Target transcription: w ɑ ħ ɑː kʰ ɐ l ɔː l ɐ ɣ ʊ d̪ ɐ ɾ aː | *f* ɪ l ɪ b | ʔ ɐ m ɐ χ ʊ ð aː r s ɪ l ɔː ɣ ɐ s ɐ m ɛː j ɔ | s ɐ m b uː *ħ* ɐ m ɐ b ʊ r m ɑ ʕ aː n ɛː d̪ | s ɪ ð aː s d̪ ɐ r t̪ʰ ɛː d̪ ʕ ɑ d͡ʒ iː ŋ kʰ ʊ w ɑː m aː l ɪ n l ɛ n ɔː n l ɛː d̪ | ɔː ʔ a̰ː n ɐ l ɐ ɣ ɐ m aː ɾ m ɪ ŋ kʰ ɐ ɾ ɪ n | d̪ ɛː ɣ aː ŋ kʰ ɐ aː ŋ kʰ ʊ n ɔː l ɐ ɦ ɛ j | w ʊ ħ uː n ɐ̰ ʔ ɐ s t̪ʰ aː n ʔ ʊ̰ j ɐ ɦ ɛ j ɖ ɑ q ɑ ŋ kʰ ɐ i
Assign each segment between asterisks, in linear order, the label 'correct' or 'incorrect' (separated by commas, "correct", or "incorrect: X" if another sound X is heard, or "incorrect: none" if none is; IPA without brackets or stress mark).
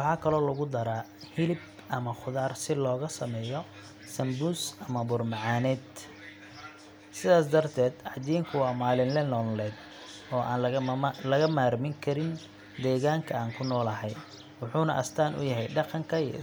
incorrect: h, incorrect: s